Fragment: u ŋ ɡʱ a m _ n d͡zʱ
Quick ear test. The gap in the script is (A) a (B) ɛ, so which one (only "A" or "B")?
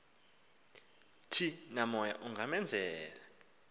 B